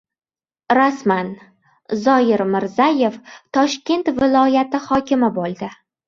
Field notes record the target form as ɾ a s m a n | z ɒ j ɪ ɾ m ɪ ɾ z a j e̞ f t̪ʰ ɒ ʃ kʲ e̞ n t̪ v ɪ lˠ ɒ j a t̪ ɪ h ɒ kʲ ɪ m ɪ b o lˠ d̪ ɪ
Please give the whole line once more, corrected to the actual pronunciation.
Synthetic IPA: ɾ a s m a n | z ɒ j ɪ ɾ m ɪ ɾ z a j e̞ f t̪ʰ ɒ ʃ kʲ e̞ n t̪ v ɪ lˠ ɒ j a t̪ ɪ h ɒ kʲ ɪ m ɪ b o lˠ d̪ ɪ